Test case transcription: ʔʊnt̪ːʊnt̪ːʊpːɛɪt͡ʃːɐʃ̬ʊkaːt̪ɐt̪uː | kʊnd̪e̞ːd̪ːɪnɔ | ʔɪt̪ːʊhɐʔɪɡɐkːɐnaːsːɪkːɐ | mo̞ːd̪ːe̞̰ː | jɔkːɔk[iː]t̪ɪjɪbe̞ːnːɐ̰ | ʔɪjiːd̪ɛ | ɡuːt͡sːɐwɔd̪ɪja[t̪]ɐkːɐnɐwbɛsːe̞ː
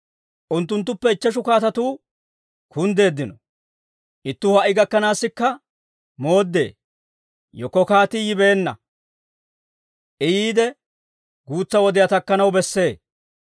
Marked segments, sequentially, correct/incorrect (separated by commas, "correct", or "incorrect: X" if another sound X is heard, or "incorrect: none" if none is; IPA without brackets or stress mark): incorrect: aː, correct